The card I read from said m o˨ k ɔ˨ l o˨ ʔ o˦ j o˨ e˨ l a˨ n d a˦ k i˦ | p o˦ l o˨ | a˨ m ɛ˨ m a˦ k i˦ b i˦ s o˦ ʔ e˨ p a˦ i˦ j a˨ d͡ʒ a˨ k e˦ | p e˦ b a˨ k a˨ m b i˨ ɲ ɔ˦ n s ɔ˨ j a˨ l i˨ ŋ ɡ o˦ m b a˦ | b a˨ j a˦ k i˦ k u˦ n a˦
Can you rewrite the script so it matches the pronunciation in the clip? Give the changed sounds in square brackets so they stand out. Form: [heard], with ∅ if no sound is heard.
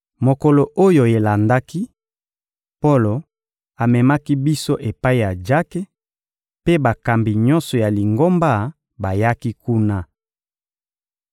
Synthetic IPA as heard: m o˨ k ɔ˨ l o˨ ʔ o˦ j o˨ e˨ l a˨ n d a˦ k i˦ | p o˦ l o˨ | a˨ m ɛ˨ m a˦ k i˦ b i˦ s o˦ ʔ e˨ p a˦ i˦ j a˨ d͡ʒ [a˦] k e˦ | p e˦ b a˨ k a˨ m b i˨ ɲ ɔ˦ n s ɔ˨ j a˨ l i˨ ŋ ɡ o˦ m b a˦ | b a˨ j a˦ k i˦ k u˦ n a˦